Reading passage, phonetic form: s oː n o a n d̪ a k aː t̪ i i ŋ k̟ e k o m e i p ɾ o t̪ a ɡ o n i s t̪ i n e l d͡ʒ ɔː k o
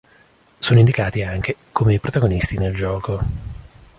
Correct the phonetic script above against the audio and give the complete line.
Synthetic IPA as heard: s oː n o i n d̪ i k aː t̪ i a ŋ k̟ e k o m e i p ɾ o t̪ a ɡ o n i s t̪ i n e l d͡ʒ ɔː k o